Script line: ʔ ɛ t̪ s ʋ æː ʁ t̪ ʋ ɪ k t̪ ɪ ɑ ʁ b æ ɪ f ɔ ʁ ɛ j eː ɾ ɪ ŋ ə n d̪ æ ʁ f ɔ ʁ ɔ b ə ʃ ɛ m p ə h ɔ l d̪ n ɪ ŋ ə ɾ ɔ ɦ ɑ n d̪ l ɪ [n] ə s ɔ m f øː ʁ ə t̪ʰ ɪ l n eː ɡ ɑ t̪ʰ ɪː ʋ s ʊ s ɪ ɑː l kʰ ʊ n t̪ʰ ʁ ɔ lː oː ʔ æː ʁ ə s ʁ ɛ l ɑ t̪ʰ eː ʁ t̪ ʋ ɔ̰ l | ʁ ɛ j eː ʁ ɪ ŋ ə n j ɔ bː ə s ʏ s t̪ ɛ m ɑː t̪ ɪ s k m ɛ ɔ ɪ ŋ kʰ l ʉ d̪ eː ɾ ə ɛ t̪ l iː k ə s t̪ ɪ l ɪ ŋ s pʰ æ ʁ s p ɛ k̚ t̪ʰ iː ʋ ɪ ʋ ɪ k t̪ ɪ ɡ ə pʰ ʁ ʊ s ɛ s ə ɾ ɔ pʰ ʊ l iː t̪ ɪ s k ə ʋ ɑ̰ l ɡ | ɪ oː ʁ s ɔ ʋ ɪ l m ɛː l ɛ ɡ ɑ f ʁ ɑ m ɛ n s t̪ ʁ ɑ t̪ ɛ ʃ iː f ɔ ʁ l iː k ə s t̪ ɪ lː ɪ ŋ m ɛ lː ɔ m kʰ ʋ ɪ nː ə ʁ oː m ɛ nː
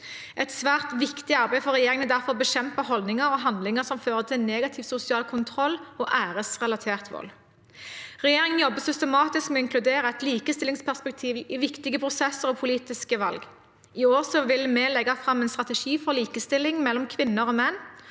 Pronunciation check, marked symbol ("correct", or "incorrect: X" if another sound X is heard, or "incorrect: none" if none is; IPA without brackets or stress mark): incorrect: ŋ